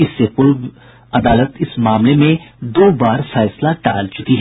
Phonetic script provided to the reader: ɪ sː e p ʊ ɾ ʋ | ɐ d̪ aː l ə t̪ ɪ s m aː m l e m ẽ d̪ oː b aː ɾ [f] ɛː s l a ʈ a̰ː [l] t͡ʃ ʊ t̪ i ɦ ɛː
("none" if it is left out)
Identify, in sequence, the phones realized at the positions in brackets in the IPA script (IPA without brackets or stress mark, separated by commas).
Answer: f, l